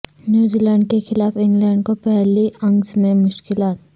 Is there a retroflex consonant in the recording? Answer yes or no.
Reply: yes